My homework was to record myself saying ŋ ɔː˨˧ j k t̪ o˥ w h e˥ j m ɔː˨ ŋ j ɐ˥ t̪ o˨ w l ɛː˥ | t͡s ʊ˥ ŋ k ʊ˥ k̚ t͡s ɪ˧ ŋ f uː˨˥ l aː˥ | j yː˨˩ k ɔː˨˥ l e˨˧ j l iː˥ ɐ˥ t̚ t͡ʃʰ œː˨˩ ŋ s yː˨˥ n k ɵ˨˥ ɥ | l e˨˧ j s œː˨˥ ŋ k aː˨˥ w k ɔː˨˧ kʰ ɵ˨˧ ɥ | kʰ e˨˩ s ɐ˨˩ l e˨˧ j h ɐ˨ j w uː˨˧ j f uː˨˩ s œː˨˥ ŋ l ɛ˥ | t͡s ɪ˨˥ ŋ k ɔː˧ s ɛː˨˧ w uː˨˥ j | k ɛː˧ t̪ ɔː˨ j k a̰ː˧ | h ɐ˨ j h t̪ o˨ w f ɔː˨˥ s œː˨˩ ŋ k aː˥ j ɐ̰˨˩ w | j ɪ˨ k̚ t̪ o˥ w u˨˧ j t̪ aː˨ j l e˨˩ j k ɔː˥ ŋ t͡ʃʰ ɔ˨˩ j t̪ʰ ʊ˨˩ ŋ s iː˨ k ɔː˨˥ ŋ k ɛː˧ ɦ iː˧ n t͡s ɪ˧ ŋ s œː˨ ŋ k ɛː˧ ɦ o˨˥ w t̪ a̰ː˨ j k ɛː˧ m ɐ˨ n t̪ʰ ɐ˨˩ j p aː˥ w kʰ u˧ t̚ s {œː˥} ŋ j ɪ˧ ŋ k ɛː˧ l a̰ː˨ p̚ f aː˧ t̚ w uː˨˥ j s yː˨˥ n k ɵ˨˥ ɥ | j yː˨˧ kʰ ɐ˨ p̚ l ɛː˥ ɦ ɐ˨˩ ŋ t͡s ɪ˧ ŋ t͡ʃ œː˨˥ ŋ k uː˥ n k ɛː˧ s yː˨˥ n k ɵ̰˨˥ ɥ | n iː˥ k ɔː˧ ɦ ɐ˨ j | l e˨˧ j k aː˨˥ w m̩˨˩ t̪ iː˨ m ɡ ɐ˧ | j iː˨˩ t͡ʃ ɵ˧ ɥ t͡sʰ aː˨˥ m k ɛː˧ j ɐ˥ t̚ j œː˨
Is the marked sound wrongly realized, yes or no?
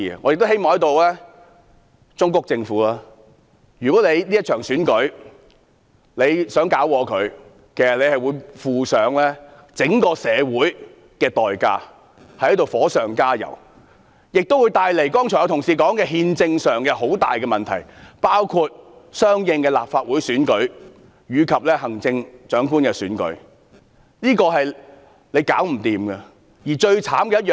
no